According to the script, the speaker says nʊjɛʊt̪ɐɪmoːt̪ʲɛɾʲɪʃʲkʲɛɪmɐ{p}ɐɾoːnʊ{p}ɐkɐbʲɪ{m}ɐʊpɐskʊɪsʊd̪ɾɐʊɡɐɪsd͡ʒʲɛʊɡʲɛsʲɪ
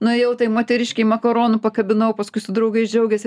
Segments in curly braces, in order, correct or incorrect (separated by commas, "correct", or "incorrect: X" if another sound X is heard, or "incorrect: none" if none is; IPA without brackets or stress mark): incorrect: k, correct, incorrect: n